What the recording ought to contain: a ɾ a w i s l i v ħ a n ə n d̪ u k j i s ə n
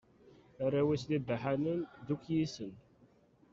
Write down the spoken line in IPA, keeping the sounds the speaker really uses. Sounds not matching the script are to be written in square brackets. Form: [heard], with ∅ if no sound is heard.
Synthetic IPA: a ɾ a w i s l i [b] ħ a n ə n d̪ u k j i s ə n